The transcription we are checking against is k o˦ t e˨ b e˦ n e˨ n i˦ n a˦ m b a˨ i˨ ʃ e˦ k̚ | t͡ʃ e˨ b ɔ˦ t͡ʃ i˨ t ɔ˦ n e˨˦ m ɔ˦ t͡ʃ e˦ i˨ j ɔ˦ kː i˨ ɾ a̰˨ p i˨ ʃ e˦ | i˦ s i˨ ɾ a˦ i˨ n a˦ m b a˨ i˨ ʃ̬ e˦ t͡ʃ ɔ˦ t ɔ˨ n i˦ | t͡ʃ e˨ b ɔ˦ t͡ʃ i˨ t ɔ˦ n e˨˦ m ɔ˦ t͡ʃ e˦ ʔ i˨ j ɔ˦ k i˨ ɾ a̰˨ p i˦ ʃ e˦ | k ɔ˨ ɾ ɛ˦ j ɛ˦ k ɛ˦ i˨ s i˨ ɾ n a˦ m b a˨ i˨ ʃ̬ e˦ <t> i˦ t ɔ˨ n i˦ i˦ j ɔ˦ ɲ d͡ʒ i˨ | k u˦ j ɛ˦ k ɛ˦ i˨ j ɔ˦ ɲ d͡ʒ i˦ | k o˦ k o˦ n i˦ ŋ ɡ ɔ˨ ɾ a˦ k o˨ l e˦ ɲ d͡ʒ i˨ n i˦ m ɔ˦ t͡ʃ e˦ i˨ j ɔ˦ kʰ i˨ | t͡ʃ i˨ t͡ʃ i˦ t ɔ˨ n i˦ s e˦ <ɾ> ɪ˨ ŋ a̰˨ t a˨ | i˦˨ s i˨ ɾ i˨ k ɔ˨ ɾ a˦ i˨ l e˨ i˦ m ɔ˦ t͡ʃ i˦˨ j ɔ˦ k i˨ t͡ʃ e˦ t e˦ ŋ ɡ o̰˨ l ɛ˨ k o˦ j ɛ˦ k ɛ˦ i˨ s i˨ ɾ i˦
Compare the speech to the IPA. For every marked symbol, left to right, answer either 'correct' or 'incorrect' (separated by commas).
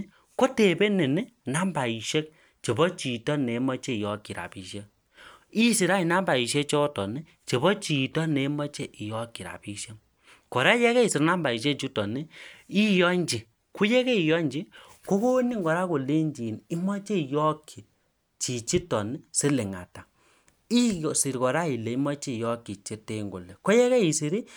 incorrect, incorrect